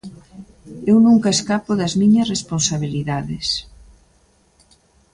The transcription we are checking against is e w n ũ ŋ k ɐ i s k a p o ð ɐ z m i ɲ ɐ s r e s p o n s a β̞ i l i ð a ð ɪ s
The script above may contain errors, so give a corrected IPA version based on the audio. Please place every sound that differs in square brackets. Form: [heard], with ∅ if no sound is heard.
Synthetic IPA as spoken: e w n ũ ŋ k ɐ [e] s k a p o ð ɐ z m i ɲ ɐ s r e s p o n s a β̞ i l i ð a ð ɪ s